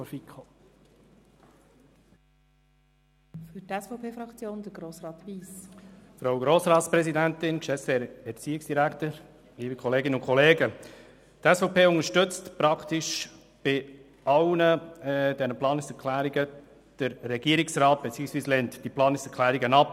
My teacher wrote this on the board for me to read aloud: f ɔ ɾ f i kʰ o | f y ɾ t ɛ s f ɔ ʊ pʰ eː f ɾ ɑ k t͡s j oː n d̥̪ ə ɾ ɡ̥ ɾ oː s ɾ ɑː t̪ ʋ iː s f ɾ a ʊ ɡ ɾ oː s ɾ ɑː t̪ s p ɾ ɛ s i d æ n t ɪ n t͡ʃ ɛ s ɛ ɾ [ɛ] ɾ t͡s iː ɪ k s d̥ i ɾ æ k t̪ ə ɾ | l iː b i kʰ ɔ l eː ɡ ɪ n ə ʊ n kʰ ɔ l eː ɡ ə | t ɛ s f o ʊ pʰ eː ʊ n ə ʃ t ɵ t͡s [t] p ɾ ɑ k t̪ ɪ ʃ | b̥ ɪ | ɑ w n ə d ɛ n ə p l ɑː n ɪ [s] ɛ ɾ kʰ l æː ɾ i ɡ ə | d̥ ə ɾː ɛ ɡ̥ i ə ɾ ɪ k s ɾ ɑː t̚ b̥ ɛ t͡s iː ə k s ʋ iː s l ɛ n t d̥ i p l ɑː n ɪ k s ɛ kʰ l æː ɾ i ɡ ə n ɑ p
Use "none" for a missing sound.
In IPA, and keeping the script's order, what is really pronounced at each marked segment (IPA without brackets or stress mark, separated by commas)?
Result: ɛ, t, s